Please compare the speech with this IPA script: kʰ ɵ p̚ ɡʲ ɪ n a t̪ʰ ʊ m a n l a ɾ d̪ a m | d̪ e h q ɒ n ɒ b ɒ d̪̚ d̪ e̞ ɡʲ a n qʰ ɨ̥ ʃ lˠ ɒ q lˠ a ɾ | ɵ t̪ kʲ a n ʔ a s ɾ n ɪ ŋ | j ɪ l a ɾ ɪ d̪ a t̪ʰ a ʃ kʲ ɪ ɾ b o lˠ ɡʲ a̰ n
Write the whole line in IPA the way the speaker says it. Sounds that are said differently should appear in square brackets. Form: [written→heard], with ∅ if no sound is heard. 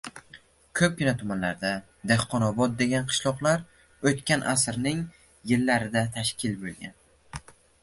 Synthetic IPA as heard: kʰ ɵ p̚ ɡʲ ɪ n a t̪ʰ ʊ m a n l a ɾ d̪ a [m→∅] | d̪ e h q ɒ n ɒ b ɒ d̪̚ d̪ e̞ ɡʲ a n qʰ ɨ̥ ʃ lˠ ɒ q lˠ a ɾ | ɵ t̪ kʲ a n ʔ a s ɾ n ɪ ŋ | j ɪ [l→lː] a ɾ ɪ d̪ a t̪ʰ a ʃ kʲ ɪ [ɾ→l] b o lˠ ɡʲ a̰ n